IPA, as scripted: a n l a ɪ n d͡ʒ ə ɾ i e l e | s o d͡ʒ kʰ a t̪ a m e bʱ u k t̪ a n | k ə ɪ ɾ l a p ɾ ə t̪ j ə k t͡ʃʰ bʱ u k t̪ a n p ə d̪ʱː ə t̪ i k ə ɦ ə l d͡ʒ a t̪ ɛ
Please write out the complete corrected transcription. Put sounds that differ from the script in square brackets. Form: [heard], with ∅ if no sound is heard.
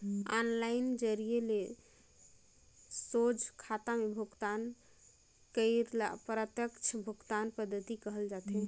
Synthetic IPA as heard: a n l a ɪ n d͡ʒ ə ɾ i e l e | s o d͡ʒ kʰ a t̪ a m e bʱ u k t̪ a n | k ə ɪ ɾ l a p ɾ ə t̪ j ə k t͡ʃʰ bʱ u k t̪ a n p ə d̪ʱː ə t̪ i k ə ɦ ə l d͡ʒ a t̪ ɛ